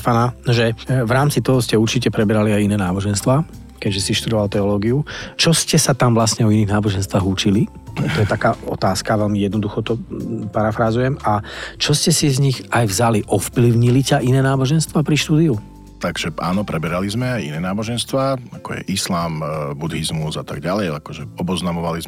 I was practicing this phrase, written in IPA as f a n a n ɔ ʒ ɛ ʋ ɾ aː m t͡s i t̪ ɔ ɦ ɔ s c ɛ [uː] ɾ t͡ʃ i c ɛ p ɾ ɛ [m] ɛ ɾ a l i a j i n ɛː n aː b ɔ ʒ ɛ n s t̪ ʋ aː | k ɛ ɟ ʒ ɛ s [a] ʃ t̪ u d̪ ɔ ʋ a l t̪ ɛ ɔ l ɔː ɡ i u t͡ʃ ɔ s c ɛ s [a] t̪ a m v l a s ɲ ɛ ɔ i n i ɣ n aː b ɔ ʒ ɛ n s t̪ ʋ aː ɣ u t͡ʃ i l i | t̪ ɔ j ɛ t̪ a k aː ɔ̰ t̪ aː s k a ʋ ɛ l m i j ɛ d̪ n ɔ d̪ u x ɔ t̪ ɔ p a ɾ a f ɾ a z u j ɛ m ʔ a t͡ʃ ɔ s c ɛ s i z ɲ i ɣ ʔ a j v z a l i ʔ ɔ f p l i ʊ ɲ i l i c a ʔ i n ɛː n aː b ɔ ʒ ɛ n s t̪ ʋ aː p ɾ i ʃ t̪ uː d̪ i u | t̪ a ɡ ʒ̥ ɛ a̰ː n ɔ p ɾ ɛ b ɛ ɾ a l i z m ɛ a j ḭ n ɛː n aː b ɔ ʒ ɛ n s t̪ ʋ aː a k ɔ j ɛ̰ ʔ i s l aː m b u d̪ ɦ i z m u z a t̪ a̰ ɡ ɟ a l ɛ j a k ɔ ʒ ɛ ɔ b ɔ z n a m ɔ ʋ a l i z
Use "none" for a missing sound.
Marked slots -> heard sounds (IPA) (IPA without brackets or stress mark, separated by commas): u, b, i, a